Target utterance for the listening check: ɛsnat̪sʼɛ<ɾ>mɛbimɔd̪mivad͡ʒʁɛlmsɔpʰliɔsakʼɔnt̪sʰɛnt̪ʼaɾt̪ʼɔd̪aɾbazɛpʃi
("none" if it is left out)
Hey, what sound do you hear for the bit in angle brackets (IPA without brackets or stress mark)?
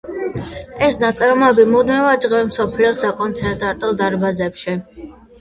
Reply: ɾ